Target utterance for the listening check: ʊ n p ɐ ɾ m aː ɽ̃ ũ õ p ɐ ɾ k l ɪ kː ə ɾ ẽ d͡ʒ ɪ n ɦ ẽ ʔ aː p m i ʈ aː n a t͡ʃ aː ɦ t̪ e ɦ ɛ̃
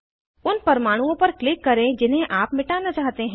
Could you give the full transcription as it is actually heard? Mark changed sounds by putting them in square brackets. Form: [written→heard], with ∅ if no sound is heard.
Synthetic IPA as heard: ʊ n p ɐ ɾ m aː ɽ̃ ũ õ p ɐ ɾ k l ɪ kː [ə→ɐ] ɾ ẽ d͡ʒ ɪ n ɦ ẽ ʔ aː p m [i→ɪ] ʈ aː n a t͡ʃ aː ɦ t̪ e ɦ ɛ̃